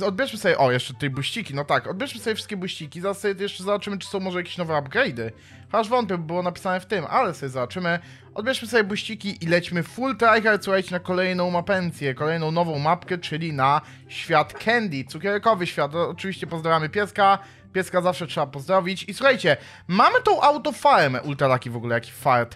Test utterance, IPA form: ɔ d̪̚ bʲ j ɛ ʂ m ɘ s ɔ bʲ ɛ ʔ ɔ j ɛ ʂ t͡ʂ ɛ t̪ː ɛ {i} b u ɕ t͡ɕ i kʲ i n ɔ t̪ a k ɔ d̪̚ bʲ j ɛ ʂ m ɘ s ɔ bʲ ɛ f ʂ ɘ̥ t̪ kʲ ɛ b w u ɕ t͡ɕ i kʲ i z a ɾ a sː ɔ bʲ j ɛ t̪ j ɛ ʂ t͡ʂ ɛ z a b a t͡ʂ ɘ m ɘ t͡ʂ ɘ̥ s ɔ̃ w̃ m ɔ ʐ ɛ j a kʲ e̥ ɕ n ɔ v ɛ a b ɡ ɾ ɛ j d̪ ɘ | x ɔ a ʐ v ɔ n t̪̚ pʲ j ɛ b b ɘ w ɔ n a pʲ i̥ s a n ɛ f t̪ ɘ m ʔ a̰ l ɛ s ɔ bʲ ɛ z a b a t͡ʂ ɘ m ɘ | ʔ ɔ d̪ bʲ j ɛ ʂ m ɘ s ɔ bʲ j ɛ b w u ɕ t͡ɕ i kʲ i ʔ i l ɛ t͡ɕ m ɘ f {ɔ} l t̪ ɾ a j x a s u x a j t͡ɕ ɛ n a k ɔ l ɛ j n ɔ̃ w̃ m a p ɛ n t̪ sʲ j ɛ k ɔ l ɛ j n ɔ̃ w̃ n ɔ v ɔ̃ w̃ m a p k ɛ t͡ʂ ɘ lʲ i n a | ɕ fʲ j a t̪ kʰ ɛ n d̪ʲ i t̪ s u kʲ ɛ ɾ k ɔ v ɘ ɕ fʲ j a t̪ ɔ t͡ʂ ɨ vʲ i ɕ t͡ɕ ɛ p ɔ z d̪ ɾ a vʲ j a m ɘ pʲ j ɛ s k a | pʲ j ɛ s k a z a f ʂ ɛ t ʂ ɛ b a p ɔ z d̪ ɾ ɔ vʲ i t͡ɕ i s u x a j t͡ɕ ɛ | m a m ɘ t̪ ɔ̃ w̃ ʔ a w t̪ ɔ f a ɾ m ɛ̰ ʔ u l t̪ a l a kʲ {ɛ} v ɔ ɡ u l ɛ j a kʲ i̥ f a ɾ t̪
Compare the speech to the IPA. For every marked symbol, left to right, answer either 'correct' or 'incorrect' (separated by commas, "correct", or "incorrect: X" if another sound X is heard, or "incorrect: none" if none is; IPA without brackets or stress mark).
incorrect: j, incorrect: u, incorrect: i